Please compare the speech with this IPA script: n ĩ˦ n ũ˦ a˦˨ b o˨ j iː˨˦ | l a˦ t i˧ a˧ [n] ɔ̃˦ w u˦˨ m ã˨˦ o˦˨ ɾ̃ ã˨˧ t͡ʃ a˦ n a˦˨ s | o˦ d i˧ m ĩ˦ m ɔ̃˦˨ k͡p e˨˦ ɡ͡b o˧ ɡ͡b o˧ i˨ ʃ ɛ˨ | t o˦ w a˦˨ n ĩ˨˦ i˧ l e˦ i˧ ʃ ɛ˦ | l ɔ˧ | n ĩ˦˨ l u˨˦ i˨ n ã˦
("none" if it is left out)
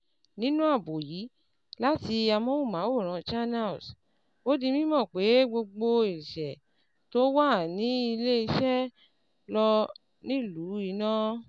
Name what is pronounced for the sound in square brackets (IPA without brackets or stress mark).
m